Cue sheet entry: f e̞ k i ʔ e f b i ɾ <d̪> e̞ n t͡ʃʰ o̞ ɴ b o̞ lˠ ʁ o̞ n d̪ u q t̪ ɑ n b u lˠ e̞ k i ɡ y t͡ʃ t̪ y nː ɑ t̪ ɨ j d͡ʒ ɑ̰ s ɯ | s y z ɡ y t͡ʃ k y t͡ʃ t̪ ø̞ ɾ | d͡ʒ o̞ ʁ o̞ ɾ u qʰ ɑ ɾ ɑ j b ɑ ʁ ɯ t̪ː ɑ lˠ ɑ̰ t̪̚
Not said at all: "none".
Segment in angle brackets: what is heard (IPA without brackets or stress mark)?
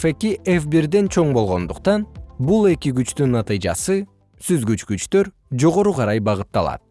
d̪